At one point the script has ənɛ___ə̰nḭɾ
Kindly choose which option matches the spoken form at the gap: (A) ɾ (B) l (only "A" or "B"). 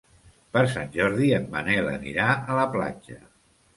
B